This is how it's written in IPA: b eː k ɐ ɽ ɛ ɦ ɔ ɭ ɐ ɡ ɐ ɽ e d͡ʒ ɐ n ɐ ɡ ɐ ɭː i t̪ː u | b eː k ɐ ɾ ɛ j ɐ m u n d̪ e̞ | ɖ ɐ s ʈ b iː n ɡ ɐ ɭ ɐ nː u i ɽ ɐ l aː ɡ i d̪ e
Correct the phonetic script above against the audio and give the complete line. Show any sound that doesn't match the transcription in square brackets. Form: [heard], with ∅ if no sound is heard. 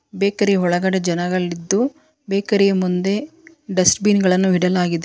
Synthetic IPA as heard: b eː k ɐ [ɾ] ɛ ɦ ɔ ɭ ɐ ɡ ɐ ɽ e d͡ʒ ɐ n ɐ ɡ ɐ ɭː i [d̪ː] u | b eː k ɐ ɾ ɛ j ɐ m u n d̪ e̞ | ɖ ɐ s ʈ b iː n ɡ ɐ ɭ ɐ nː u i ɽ ɐ l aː ɡ i d̪ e